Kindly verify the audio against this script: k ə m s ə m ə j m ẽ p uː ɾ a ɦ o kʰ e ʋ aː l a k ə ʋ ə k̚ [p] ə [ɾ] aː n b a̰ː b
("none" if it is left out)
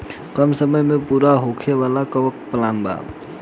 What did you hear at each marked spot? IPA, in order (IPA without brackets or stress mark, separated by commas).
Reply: p, l